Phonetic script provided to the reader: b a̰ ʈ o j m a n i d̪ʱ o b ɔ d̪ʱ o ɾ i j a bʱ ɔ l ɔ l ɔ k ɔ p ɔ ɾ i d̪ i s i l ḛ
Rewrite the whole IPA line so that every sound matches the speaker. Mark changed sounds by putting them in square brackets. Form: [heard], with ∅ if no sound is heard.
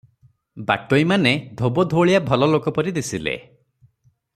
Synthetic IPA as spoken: b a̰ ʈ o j m a n [e] d̪ʱ o b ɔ d̪ʱ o [ɭ] i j a bʱ ɔ l ɔ l [o] k ɔ p ɔ ɾ i d̪ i s i l ḛ